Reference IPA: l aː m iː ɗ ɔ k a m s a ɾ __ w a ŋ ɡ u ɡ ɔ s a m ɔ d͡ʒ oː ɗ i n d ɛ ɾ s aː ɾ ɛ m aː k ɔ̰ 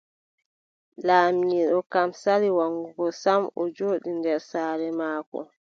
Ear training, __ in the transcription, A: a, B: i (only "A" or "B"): B